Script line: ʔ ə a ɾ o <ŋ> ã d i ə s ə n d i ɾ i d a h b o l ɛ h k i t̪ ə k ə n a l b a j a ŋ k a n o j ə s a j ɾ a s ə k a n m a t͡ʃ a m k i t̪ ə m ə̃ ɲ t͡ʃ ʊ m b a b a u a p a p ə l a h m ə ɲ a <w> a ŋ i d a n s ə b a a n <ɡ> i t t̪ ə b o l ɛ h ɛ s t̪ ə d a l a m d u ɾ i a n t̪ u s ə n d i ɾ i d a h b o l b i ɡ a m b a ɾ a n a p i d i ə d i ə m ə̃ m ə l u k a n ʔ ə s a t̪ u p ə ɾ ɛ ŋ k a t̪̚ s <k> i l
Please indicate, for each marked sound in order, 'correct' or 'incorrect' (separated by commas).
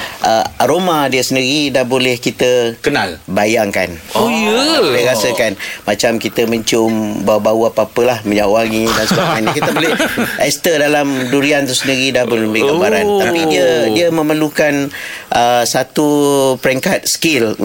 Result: incorrect, correct, incorrect, correct